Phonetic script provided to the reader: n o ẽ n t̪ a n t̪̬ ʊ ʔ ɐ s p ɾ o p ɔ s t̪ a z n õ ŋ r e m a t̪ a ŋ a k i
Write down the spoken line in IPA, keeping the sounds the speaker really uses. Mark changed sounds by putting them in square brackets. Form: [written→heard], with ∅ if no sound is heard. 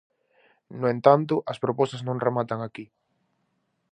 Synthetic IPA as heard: n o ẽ n t̪ a n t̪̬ ʊ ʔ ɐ s p ɾ o p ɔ s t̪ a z n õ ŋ r e m a t̪ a ŋ a k i